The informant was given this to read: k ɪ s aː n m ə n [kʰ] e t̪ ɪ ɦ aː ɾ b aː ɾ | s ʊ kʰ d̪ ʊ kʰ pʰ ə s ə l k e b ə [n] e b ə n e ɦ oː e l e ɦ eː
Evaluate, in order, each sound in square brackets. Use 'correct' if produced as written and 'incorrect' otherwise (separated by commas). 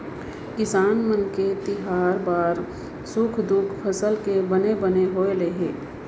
incorrect, correct